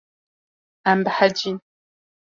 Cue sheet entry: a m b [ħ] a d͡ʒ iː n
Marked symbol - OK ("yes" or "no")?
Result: yes